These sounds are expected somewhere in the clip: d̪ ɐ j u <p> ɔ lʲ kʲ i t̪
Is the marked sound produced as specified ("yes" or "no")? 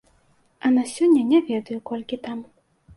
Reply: no